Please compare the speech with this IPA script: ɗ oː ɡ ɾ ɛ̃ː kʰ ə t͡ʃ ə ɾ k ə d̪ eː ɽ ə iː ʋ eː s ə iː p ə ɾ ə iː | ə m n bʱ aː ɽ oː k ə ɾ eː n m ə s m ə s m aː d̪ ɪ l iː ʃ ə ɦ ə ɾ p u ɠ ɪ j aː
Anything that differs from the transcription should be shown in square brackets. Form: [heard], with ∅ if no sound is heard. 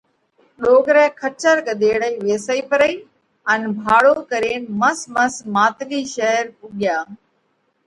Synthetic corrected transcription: ɗ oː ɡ ɾ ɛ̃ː kʰ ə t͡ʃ ə ɾ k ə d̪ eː ɽ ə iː ʋ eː s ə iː p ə ɾ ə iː | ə [∅] n bʱ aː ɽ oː k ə ɾ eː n m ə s m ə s m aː [t̪] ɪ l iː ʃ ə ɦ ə ɾ p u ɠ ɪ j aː